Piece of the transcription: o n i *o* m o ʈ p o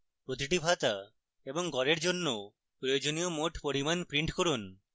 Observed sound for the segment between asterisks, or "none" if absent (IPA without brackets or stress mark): o